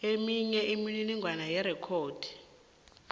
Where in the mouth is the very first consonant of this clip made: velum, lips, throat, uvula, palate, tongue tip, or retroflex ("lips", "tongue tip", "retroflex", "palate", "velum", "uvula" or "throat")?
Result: lips